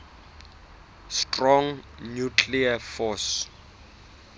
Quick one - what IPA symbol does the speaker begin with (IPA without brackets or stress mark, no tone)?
s